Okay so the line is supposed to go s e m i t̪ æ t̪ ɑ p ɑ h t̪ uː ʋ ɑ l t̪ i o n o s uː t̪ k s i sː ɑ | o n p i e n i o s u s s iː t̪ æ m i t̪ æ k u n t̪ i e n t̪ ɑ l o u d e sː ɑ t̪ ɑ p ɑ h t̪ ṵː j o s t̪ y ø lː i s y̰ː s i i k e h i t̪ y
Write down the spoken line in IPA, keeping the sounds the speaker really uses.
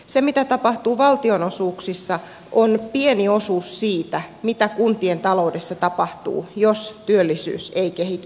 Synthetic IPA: s e m i t̪ æ t̪ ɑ p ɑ h t̪ uː ʋ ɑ l t̪ i o n o s uː k s i sː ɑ | o n p i e n i o s uː s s iː t̪ æ m i t̪ æ k u n t̪ i e n t̪ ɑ l o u d e sː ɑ t̪ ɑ p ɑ h t̪ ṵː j o s t̪ y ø lː i s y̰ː s e i k e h i t̪ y